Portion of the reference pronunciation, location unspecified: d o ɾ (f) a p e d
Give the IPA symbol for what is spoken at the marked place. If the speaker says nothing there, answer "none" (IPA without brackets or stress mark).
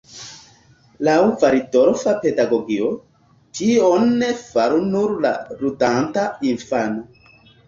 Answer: f